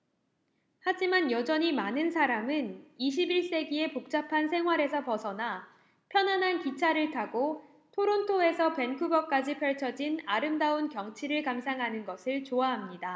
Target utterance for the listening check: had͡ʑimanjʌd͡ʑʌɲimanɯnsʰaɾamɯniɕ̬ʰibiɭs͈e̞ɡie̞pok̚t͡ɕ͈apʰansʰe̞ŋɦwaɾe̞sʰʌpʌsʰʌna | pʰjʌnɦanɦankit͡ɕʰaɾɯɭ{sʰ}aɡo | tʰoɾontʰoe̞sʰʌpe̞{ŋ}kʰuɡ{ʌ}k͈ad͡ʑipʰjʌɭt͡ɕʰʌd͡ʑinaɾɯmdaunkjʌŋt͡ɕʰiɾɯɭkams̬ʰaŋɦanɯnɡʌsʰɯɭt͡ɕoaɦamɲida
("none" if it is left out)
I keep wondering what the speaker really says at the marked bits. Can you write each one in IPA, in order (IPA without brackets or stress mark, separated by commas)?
tʰ, n, ʌ